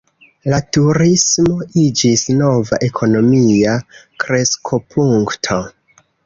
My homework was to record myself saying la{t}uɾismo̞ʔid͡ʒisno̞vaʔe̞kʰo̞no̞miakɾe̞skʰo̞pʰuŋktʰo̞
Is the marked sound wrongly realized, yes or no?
no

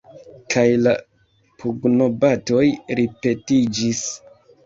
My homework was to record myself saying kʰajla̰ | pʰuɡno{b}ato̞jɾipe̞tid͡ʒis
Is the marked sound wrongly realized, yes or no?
no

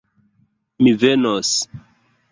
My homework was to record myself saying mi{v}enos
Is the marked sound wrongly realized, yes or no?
no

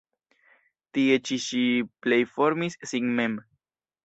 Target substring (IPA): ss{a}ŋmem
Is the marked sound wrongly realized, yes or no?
yes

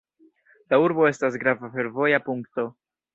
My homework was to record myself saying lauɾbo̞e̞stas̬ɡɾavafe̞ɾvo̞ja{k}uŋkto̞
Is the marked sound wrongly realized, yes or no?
yes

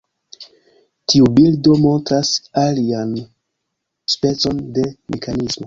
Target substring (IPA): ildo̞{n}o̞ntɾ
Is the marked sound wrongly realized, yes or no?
yes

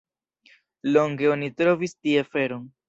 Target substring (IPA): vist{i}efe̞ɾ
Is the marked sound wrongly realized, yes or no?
no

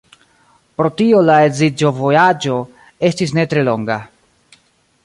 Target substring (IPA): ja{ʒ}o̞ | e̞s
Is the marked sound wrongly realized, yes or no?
yes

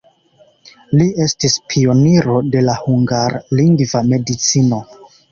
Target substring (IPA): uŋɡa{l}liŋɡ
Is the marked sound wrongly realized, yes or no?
yes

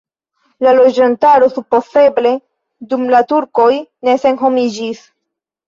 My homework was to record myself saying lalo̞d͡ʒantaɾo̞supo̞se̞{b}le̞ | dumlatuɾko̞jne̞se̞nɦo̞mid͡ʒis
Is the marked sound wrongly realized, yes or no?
no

